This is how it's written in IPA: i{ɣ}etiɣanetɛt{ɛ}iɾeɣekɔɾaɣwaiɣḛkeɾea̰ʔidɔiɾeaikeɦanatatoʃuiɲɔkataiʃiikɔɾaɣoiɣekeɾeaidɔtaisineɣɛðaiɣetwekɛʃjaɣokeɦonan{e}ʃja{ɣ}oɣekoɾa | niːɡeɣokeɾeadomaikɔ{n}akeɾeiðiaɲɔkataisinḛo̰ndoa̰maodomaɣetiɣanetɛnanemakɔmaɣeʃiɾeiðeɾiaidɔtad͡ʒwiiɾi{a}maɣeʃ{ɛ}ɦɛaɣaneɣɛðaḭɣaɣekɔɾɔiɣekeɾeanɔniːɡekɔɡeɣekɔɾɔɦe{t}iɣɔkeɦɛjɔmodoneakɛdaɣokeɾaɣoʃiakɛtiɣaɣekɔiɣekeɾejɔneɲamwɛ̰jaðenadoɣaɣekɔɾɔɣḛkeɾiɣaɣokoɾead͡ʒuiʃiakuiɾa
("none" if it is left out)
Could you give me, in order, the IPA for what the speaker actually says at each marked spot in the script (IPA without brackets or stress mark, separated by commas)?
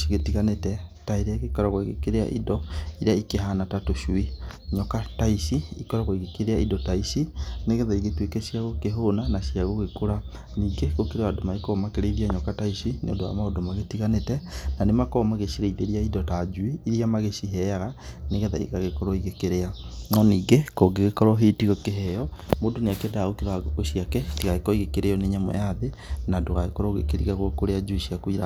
ɣ, a, a, ɣ, m, a, i, t